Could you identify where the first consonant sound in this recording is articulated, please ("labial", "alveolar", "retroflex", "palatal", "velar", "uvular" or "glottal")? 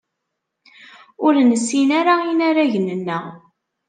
alveolar